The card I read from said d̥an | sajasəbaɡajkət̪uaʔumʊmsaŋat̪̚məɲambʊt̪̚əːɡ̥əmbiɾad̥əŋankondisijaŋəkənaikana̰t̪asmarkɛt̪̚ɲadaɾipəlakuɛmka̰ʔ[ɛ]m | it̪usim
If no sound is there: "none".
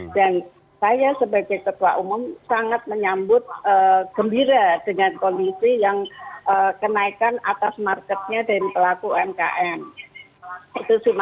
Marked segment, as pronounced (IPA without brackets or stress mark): ɛ